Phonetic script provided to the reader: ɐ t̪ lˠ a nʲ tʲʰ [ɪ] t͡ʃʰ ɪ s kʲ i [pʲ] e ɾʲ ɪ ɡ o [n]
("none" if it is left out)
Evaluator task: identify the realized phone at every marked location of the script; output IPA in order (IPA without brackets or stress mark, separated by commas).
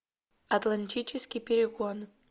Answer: i, pʲ, n